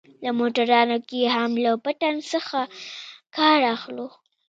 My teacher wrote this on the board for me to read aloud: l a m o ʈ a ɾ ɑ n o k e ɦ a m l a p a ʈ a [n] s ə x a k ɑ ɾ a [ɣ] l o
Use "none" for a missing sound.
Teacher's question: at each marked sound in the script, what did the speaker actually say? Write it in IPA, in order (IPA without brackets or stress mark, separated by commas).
n, x